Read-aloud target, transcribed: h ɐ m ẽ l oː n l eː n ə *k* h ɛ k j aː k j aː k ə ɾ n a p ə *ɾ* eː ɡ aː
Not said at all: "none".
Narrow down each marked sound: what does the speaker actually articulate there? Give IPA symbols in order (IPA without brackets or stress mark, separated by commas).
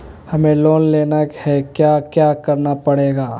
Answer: k, ɽ